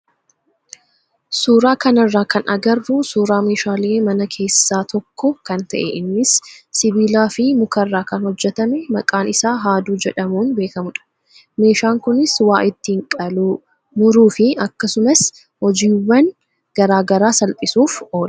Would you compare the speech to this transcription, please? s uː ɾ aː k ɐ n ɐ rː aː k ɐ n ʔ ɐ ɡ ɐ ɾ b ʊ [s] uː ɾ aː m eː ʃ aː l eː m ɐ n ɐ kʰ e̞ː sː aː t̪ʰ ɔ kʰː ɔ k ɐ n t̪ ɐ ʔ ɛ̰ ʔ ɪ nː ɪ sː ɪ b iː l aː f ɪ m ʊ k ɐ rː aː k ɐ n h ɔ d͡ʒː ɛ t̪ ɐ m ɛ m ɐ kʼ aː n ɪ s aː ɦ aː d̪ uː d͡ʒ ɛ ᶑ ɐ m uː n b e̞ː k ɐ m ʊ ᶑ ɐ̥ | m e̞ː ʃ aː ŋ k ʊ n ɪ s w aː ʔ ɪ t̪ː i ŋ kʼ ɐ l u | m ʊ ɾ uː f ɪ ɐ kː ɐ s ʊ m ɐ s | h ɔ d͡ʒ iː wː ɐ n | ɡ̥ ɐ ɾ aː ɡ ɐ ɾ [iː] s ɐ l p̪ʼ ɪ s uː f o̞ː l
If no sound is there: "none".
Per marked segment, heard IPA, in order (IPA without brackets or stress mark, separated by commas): s, aː